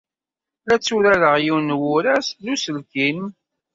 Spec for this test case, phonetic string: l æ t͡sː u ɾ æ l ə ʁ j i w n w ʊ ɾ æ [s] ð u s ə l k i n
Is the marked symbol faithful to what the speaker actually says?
yes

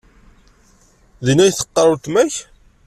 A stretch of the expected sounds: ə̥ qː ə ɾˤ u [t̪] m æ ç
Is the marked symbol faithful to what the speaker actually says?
yes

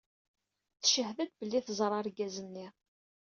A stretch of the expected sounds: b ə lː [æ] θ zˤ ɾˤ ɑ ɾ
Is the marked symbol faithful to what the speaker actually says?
no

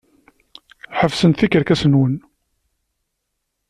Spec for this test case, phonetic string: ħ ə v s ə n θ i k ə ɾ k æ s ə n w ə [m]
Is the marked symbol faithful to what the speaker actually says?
no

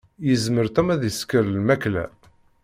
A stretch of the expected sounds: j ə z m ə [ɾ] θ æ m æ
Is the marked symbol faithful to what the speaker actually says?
yes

